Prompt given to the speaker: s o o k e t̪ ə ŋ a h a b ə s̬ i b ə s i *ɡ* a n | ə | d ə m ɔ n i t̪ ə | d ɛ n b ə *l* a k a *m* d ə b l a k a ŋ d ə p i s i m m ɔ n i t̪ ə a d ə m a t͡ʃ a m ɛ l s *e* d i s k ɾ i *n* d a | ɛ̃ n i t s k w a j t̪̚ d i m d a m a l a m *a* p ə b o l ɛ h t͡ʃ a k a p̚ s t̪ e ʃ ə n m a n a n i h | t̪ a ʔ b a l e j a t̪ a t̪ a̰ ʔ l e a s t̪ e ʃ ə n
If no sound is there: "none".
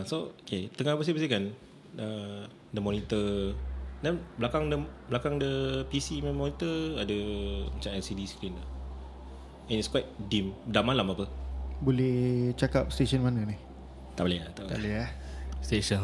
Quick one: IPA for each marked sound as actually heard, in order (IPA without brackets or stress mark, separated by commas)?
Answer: k, l, ŋ, i, n, a